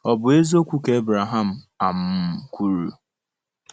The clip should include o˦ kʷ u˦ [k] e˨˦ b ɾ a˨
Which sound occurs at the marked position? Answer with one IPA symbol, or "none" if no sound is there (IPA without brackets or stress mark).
k